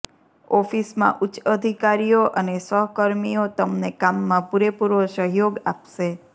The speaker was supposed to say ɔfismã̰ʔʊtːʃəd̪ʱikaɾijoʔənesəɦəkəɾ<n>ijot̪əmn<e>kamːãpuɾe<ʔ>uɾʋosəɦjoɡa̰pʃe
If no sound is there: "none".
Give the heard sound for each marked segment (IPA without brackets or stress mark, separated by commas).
m, e, p